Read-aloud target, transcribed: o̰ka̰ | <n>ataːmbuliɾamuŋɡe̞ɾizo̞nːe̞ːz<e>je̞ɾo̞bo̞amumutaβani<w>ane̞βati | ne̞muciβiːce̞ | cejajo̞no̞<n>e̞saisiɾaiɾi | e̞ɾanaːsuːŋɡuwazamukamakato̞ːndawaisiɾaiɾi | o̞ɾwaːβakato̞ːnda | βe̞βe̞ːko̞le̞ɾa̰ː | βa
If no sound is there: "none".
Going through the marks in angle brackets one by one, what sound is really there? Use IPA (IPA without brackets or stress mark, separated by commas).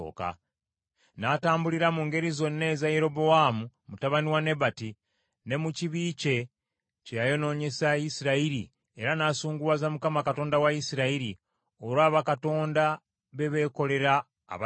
n, a, w, ɲ